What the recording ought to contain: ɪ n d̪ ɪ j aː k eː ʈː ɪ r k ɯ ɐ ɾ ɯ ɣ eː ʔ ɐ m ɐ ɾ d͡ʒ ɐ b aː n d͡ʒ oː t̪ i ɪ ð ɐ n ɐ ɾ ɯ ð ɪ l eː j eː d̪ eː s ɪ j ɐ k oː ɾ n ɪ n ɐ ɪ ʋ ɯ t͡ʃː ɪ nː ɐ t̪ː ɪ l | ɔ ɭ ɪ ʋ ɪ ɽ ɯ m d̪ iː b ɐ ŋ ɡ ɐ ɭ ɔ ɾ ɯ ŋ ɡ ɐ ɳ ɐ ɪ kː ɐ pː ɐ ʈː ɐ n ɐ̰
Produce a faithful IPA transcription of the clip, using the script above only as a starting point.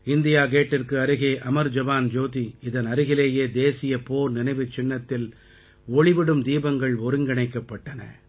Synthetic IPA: ɪ n d̪ ɪ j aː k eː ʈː ɪ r k ɯ ɐ ɾ ɯ ɣ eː ʔ ɐ m ɐ ɾ d͡ʒ ɐ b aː n d͡ʒ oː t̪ i ɪ ð ɐ n ɐ ɾ ɯ ɣ ɪ l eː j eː d̪ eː s ɪ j ɐ p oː ɾ n ɪ n ɐ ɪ ʋ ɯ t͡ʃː ɪ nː ɐ t̪ː ɪ l | ɔ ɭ ɪ ʋ ɪ ɽ ɯ m d̪ iː b ɐ ŋ ɡ ɐ ɭ ɔ ɾ ɯ ŋ ɡ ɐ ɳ ɐ ɪ kː ɐ pː ɐ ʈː ɐ n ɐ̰